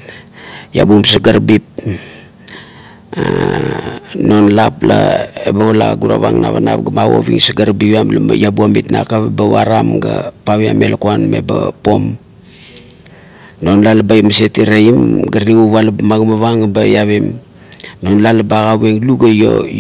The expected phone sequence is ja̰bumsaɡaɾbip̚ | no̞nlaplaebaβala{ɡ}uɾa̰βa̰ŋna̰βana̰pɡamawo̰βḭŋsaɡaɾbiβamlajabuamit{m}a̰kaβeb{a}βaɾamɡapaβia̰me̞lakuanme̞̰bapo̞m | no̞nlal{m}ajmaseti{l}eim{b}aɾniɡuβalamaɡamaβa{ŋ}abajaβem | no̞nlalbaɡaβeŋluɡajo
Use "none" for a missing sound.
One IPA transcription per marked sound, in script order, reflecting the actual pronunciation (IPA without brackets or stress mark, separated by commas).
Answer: ɡ, n, a, b, ɾ, ɡ, ŋ